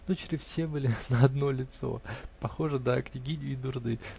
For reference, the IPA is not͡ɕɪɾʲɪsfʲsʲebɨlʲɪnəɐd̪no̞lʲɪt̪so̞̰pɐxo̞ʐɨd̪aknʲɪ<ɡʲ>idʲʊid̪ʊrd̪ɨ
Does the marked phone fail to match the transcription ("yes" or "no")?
no